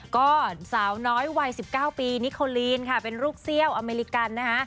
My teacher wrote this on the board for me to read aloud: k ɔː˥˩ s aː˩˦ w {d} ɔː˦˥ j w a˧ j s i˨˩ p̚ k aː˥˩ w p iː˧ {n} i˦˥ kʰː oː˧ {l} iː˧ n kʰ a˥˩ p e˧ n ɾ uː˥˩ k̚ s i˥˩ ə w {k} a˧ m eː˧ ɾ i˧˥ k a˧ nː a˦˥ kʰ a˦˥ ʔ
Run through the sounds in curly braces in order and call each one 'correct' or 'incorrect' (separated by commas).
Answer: incorrect, correct, correct, incorrect